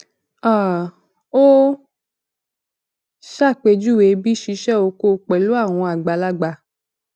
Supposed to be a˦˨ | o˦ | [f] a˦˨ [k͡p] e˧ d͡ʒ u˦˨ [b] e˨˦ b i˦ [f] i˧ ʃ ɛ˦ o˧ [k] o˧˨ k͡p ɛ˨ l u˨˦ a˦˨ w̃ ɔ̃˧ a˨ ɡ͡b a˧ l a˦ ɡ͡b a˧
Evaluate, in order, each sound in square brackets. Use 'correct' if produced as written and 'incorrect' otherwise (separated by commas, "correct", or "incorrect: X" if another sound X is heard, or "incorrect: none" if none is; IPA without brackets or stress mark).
incorrect: ʃ, correct, incorrect: w, incorrect: ʃ, correct